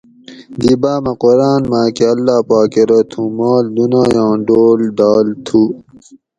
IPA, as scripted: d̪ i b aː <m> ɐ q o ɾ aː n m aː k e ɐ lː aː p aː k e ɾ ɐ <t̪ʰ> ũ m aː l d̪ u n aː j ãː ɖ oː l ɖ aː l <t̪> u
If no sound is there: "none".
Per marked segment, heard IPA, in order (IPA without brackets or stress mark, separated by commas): m, t̪ʰ, t̪ʰ